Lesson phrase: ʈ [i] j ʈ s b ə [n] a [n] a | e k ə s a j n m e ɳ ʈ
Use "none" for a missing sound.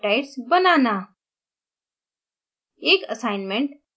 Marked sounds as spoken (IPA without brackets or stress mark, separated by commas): a, n, n